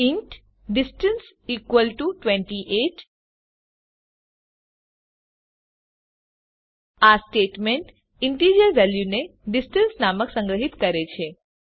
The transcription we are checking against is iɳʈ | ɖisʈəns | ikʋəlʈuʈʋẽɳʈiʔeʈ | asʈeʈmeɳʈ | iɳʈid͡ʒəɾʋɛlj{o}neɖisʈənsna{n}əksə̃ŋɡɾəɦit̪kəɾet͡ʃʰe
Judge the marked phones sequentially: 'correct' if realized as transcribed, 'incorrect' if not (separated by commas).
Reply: incorrect, incorrect